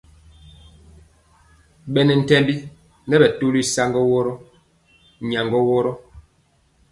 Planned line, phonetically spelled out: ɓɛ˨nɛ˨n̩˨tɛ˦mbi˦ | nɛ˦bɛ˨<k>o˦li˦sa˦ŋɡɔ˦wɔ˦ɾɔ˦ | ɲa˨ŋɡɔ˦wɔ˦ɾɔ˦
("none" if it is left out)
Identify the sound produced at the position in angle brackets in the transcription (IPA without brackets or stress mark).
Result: t